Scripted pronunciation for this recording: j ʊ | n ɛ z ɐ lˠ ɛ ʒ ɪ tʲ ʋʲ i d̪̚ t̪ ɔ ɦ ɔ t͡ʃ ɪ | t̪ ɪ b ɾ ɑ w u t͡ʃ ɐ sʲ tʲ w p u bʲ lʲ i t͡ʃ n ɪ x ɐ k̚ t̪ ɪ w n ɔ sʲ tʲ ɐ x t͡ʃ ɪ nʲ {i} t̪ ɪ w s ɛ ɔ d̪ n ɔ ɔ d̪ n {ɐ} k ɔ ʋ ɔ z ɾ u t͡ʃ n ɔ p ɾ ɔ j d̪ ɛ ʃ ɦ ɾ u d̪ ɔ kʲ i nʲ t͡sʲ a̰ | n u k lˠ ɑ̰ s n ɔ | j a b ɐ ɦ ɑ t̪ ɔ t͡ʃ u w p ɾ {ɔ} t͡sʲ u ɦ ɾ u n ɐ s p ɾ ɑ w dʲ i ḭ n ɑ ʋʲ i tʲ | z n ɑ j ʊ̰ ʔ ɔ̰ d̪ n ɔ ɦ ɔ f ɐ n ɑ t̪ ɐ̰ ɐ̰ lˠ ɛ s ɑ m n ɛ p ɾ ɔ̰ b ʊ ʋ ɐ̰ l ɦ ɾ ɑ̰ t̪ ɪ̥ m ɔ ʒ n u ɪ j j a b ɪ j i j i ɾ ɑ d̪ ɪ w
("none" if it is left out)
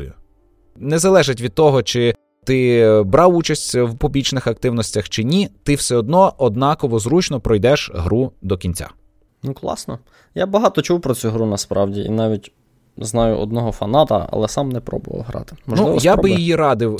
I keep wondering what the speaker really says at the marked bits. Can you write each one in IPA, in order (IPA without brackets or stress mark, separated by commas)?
i, ɑ, ɔ